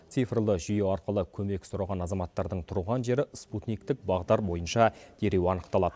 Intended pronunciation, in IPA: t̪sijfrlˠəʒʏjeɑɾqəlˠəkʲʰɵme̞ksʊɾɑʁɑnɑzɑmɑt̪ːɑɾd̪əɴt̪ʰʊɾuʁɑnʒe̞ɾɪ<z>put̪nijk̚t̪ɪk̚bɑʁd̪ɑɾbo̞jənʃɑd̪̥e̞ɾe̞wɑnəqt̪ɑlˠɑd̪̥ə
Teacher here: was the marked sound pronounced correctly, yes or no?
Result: no